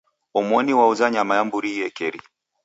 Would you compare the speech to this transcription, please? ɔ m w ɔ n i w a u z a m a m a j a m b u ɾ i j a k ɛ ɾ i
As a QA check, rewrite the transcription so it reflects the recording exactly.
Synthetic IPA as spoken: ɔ m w ɔ n i w a u z a ɲ a m a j a m b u ɾ i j ɛ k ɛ ɾ i